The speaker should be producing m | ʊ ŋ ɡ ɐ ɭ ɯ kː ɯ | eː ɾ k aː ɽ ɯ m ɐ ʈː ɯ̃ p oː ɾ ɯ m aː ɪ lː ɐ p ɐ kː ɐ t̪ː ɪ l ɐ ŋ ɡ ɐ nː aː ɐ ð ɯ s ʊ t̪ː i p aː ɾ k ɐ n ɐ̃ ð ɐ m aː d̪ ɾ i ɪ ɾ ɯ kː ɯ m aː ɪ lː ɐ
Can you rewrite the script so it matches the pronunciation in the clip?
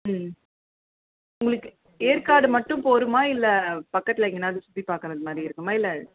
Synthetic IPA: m | ʊ ŋ ɡ ɐ ɭ ɯ kː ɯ | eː ɾ k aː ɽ ɯ m ɐ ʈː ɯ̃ p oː ɾ ɯ m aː ɪ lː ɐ p ɐ kː ɐ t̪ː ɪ l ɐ ŋ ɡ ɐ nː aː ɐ ð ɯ s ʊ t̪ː i p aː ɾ k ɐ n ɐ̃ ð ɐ m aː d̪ ɾ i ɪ ɾ ɯ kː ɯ m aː ɪ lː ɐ